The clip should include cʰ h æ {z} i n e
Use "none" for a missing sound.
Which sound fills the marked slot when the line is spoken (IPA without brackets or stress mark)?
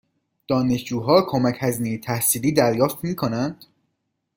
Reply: z